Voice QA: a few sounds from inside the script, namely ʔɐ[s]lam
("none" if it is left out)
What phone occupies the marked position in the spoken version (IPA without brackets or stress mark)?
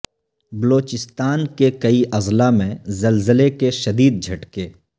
z